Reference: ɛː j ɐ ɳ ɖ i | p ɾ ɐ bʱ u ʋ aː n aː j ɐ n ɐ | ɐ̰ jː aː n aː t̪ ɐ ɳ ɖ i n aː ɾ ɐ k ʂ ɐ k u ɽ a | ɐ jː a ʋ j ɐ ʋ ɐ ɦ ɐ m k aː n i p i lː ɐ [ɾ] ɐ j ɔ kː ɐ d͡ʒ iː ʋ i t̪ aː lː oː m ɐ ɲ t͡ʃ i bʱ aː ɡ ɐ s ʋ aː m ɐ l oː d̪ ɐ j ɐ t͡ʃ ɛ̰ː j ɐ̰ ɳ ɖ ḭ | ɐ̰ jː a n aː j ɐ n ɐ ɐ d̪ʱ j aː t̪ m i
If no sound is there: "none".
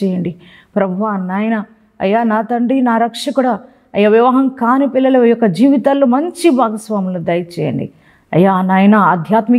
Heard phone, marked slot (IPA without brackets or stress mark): l